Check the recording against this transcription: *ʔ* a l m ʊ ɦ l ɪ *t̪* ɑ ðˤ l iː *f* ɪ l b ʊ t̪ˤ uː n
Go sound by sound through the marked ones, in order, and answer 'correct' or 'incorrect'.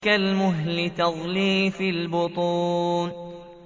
incorrect, correct, correct

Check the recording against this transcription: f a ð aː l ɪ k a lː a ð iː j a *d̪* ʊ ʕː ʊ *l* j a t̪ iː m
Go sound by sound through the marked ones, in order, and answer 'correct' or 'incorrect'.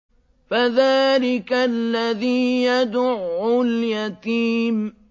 correct, correct

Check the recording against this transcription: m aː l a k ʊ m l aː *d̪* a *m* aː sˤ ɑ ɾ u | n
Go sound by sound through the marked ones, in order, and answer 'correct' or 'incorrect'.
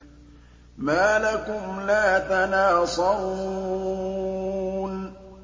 incorrect, incorrect

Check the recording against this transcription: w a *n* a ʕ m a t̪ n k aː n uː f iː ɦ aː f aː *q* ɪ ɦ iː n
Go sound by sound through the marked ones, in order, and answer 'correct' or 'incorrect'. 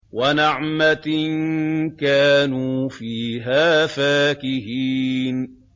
correct, incorrect

